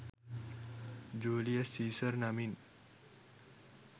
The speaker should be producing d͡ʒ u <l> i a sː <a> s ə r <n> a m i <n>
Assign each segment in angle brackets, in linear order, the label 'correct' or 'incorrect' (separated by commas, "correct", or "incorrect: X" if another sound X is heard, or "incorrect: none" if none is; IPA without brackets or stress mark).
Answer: correct, incorrect: i, correct, correct